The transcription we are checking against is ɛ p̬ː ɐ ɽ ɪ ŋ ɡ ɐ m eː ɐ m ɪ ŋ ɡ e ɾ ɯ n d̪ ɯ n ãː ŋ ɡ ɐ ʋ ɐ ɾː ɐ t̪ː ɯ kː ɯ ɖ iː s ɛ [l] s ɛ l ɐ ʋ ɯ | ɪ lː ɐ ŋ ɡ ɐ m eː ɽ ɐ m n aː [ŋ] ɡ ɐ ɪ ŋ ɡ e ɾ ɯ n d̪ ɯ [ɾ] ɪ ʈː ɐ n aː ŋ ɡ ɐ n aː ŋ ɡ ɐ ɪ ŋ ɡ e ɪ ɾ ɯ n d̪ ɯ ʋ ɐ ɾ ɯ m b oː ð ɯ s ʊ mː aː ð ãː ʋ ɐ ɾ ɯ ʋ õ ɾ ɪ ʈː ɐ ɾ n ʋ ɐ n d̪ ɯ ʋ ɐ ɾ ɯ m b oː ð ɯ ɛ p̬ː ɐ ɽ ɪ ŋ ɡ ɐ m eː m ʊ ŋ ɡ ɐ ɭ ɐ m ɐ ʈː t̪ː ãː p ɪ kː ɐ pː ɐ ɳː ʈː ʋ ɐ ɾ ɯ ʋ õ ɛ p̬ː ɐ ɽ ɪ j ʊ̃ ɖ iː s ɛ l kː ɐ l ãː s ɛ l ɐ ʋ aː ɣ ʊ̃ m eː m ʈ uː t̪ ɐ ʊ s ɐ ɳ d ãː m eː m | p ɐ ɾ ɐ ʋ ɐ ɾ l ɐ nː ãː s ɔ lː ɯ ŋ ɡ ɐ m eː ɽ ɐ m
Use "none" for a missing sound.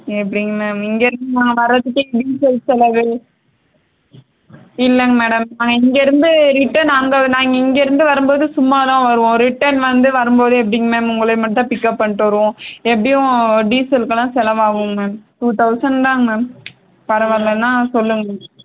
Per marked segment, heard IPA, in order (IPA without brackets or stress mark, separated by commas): l, ŋ, ɾ